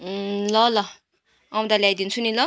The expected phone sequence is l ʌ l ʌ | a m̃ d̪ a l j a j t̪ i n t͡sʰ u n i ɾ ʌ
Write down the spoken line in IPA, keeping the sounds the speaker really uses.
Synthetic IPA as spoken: l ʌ l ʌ | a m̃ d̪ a l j a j d̪ i n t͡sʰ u n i l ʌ